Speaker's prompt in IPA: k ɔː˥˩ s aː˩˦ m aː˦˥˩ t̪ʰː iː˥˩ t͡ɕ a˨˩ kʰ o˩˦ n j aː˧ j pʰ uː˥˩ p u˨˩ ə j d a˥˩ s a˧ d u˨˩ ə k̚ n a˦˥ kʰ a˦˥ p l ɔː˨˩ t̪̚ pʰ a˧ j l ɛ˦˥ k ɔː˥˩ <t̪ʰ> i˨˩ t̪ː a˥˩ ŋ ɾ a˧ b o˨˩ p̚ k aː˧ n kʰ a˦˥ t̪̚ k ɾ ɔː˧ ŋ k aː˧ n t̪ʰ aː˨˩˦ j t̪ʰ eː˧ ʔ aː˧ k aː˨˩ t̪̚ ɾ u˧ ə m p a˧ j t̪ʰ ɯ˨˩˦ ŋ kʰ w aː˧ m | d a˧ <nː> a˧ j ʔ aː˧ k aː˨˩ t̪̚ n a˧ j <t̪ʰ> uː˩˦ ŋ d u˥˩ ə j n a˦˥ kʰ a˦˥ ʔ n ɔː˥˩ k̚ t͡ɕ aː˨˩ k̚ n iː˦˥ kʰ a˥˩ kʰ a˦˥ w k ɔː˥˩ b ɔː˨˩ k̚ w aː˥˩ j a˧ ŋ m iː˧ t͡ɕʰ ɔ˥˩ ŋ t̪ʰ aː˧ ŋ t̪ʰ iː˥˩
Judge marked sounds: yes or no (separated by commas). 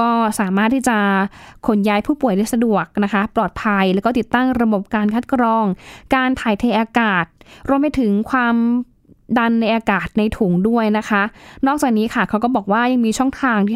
no, yes, yes